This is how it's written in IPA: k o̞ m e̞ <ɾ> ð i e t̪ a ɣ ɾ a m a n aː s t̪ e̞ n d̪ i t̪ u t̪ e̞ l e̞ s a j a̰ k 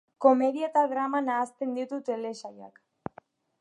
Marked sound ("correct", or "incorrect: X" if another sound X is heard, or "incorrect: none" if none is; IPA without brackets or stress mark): incorrect: none